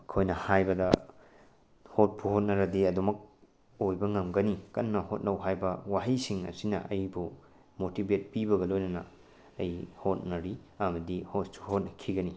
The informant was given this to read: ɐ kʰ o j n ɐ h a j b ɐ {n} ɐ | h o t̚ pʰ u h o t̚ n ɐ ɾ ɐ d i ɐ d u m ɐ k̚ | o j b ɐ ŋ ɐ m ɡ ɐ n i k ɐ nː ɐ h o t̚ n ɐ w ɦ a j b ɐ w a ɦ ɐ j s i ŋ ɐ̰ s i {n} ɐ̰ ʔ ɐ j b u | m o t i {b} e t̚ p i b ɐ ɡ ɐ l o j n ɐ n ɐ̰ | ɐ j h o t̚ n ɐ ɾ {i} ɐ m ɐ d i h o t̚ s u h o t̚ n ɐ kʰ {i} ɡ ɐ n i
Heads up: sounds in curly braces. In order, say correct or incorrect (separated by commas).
incorrect, correct, correct, correct, correct